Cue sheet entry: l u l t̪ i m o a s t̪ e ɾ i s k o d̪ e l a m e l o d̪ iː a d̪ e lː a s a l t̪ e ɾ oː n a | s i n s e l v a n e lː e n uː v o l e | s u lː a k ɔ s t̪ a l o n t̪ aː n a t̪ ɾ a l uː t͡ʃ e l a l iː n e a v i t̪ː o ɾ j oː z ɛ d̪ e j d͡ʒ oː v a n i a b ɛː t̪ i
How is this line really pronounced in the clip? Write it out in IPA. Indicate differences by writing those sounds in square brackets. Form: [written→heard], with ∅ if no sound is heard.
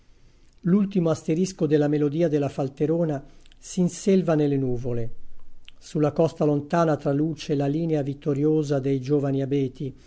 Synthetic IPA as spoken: l u l t̪ i m o a s t̪ e ɾ i s k o d̪ e l a m e l o d̪ iː a d̪ e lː a [s→f] a l t̪ e ɾ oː n a | s i n s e l v a n e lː e n uː v o l e | s u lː a k ɔ s t̪ a l o n t̪ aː n a t̪ ɾ a l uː t͡ʃ e l a l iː n e a v i t̪ː o ɾ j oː z [ɛ→a] d̪ e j d͡ʒ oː v a n i a b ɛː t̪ i

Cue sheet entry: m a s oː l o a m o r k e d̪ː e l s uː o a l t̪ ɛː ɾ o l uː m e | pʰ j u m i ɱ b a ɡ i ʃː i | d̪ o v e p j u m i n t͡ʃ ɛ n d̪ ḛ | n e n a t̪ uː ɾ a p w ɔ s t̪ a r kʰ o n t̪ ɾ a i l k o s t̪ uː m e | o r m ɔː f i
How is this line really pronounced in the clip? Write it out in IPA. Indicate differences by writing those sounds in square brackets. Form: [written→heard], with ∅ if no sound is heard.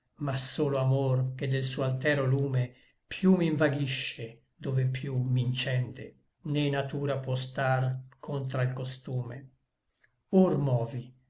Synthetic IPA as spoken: m a s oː l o a m o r k e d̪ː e l s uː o a l t̪ ɛː ɾ o l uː m e | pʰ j u m i ɱ [b→v] a ɡ i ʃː [i→e] | d̪ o v e p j u m i n t͡ʃ ɛ n d̪ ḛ | n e n a t̪ uː ɾ a p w ɔ s t̪ a r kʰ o n t̪ ɾ a i l k o s t̪ uː m e | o r m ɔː [f→v] i

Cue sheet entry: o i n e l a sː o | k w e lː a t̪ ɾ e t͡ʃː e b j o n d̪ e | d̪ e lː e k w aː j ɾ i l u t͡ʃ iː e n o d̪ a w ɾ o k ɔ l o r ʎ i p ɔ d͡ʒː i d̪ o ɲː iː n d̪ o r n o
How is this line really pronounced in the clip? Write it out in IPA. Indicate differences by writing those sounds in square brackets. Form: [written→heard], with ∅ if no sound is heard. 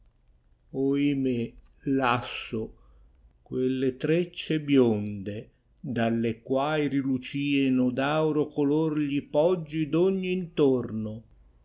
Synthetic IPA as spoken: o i [n→m] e l a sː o | k w e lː [a→e] t̪ ɾ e t͡ʃː e b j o n d̪ e | d̪ [e→a] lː e k w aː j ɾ i l u t͡ʃ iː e n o d̪ a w ɾ o k [ɔ→o] l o r ʎ i p ɔ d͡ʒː i d̪ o ɲː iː n [d̪→t̪] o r n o

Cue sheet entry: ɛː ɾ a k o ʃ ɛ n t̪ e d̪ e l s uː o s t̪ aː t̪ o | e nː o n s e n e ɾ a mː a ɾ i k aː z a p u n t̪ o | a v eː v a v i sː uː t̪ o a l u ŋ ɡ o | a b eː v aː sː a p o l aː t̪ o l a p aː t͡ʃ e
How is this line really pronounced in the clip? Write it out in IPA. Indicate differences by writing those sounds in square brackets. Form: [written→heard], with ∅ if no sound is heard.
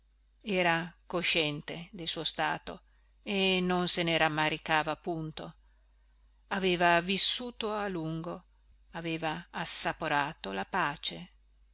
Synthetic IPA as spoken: ɛː ɾ a k o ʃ ɛ n t̪ e d̪ e l s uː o s t̪ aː t̪ o | e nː o n s e n e ɾ a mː a ɾ i k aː [z→v] a p u n t̪ o | a v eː v a v i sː uː t̪ o a l u ŋ ɡ o | a [b→v] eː v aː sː a p o [l→ɾ] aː t̪ o l a p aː t͡ʃ e

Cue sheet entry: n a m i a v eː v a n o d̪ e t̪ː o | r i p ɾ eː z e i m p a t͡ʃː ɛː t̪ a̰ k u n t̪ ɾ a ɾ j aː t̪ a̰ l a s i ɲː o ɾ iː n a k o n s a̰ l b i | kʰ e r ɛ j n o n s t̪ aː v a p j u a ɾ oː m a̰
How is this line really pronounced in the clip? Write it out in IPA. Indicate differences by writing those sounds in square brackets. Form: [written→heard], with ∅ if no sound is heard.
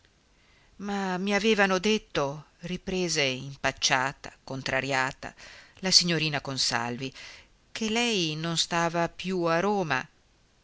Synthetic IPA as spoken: [n→m] a m i a v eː v a n o d̪ e t̪ː o | r i p ɾ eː z e i m p a t͡ʃː [ɛː→aː] t̪ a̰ k [u→o] n t̪ ɾ a ɾ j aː t̪ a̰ l a s i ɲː o ɾ iː n a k o n s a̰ l [b→v] i | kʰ e [r→l] ɛ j n o n s t̪ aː v a p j u a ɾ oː m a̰

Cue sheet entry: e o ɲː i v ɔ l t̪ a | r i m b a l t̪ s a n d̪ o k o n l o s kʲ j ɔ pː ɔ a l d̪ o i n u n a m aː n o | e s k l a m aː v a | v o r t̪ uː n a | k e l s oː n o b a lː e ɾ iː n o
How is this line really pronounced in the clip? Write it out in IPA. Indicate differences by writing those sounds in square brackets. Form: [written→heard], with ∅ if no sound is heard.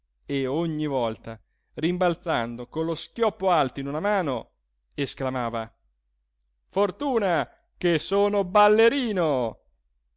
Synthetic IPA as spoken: e o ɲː i v ɔ l t̪ a | r i m b a l t̪ s a n d̪ o k o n l o s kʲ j ɔ pː [ɔ→o] a l [d̪→t̪] o i n u n a m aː n o | e s k l a m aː v a | [v→f] o r t̪ uː n a | k e [l→∅] s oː n o b a lː e ɾ iː n o

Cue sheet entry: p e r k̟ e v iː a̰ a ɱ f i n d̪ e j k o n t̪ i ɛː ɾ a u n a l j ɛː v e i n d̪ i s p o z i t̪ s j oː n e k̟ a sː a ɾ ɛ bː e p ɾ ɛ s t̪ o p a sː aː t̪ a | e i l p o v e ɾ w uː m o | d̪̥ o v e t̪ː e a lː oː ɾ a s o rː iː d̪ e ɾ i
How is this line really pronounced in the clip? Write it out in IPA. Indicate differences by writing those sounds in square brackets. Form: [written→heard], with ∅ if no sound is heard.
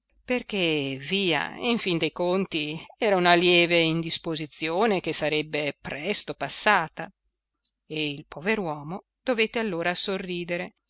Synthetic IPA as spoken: p e r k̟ e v iː a̰ [a→i] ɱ f i n d̪ e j k o n t̪ i ɛː ɾ a u n a l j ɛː v e i n d̪ i s p o z i t̪ s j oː n e k̟ [a→e] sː a ɾ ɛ bː e p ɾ ɛ s t̪ o p a sː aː t̪ a | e i l p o v e ɾ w [uː→ɔː] m o | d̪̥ o v e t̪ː e a lː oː ɾ a s o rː iː d̪ e ɾ [i→e]

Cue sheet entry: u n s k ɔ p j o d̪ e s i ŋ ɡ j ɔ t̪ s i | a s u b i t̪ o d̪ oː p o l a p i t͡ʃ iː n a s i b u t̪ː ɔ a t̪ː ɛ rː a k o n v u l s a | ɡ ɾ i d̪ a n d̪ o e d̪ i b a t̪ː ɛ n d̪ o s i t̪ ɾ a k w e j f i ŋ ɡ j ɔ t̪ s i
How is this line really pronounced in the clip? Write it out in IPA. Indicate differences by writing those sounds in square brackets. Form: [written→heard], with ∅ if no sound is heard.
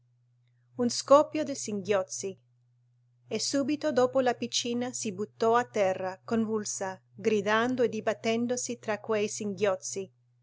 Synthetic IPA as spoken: u n s k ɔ p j o d̪ e s i ŋ ɡ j ɔ t̪ s i | [a→e] s u b i t̪ o d̪ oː p o l a p i t͡ʃ iː n a s i b u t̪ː ɔ a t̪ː ɛ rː a k o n v u l s a | ɡ ɾ i d̪ a n d̪ o e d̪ i b a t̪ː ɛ n d̪ o s i t̪ ɾ a k w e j [f→s] i ŋ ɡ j ɔ t̪ s i

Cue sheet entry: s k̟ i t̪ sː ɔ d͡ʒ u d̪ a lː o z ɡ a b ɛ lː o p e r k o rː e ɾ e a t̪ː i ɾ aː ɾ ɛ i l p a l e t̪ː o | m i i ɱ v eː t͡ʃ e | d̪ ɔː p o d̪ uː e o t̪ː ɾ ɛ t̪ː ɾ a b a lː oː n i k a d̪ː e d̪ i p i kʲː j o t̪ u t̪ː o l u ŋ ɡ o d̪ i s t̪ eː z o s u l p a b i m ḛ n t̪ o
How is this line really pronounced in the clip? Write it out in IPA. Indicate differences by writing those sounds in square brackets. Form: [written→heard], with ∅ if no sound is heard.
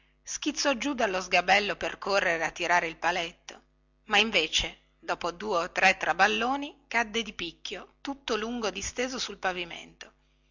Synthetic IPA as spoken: s k̟ i t̪ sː ɔ d͡ʒ u d̪ a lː o z ɡ a b ɛ lː o p e r k o rː e ɾ e a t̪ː i ɾ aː ɾ [ɛ→e] i l p a l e t̪ː o | m [i→a] i ɱ v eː t͡ʃ e | d̪ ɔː p o d̪ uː e o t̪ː ɾ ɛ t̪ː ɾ a b a lː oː n i k a d̪ː e d̪ i p i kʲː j o t̪ u t̪ː o l u ŋ ɡ o d̪ i s t̪ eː z o s u l p a [b→v] i m ḛ n t̪ o

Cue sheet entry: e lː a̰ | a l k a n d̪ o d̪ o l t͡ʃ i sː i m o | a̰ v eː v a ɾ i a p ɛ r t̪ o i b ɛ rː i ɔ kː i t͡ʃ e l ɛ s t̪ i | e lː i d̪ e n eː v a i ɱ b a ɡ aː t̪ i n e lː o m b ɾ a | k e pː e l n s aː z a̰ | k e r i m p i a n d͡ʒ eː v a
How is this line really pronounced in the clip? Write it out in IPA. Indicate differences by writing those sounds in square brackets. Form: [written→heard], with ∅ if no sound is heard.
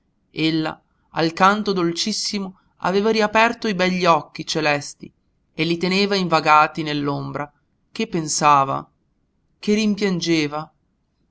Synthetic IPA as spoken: e lː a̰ | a l k a n [d̪→t̪] o d̪ o l t͡ʃ i sː i m o | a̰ v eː v a ɾ i a p ɛ r t̪ o i b ɛ [rː→ʎː] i ɔ kː i t͡ʃ e l ɛ s t̪ i | e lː i [d̪→t̪] e n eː v a i ɱ [b→v] a ɡ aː t̪ i n e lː o m b ɾ a | k e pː e [l→∅] n s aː [z→v] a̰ | k e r i m p [i→j] a n d͡ʒ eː v a

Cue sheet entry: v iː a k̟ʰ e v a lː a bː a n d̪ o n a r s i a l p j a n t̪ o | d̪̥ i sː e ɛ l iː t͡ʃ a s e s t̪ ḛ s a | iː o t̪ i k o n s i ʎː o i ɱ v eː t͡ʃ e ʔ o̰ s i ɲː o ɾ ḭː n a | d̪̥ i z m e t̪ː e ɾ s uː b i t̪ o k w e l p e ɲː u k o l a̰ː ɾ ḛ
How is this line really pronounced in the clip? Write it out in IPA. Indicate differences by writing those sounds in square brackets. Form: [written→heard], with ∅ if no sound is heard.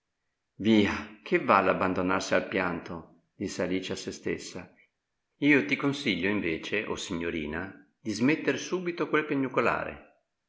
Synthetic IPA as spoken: v iː a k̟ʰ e v a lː a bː a n d̪ o n a r s i a l p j a n t̪ o | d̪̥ i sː e [ɛ→a] l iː t͡ʃ a s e s t̪ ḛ [s→sː] a | iː o t̪ i k o n s i ʎː o i ɱ v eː t͡ʃ e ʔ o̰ s i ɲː o ɾ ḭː n a | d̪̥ i z m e t̪ː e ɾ s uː b i t̪ o k w e l p e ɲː u k o l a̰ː ɾ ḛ

